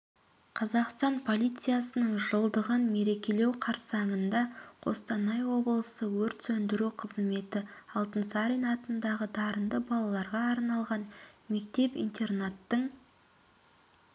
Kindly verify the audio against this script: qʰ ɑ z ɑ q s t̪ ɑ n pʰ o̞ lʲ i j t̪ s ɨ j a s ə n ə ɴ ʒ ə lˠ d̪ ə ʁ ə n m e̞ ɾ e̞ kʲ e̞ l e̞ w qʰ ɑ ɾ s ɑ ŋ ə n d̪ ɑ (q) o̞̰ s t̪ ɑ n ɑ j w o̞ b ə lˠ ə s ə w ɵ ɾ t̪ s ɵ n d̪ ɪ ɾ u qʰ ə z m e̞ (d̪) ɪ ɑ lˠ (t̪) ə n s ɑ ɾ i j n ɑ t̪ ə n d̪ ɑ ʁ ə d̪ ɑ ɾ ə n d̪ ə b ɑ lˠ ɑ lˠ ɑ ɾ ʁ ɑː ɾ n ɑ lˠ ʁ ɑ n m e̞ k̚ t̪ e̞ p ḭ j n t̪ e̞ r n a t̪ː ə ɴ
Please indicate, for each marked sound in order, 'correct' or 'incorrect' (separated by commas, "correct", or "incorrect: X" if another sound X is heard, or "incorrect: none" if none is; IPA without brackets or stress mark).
incorrect: qʰ, incorrect: t̪, correct